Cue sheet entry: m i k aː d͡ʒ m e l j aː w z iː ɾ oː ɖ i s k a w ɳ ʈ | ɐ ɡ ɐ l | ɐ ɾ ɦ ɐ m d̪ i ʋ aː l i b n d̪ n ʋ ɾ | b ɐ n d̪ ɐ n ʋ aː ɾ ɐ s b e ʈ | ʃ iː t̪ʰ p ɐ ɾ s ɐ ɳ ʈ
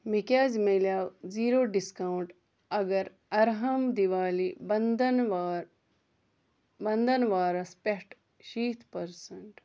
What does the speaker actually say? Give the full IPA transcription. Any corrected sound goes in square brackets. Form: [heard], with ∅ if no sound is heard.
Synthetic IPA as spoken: m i k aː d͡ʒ m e l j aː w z iː ɾ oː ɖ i s k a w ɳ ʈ | ɐ ɡ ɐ [ɾ] | ɐ ɾ ɦ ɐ m d̪ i ʋ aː l i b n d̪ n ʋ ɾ | b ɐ n d̪ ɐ n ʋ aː ɾ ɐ s [p] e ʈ | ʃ iː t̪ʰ p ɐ ɾ s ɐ ɳ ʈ